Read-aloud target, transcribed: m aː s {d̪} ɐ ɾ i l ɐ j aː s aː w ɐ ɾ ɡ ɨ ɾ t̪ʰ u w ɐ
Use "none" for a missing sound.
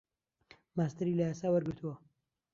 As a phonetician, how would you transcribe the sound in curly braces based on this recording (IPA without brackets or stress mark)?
t̪